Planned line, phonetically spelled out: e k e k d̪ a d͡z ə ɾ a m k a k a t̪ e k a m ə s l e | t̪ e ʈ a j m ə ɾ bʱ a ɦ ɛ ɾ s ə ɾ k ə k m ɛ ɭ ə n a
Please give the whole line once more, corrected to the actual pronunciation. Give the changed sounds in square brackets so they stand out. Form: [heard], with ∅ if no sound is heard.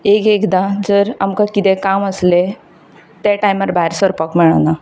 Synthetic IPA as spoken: e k e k d̪ a d͡z ə ɾ a m k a k [i] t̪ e k a m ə s l e | t̪ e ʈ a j m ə ɾ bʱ a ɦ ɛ ɾ s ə ɾ [p] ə k m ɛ ɭ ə n a